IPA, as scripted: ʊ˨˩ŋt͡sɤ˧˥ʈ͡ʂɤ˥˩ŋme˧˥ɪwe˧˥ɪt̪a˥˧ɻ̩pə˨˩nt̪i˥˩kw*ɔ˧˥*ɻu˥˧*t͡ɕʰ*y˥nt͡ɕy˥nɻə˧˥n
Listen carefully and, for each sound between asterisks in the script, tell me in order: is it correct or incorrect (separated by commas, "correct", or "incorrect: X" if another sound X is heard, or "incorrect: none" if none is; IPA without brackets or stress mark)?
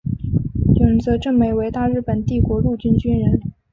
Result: correct, incorrect: t͡ɕ